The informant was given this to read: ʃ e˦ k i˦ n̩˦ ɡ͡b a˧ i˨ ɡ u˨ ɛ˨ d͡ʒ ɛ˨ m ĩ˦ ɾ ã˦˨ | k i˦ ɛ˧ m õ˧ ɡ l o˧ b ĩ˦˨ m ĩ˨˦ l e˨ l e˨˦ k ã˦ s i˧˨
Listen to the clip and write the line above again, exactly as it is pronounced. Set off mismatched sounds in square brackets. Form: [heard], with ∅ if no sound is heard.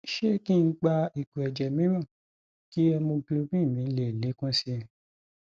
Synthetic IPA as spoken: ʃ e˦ k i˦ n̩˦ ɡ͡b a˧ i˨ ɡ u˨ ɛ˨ d͡ʒ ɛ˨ m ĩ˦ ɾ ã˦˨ | k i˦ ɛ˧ m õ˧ ɡ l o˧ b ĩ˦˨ m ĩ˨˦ l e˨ l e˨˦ k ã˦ s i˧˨